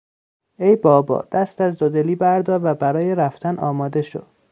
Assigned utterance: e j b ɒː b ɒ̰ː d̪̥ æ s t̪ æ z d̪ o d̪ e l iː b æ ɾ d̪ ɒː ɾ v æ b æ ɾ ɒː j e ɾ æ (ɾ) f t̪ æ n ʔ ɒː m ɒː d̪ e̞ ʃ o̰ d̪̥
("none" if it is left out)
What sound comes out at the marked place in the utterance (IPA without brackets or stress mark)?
none